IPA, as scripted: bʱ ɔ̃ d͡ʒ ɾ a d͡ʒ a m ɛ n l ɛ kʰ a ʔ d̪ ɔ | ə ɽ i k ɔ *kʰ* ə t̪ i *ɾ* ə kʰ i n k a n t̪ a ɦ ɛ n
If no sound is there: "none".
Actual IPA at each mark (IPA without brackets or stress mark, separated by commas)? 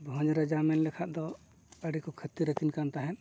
kʰ, ɾ